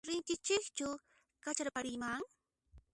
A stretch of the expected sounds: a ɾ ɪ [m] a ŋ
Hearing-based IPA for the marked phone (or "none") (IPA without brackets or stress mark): m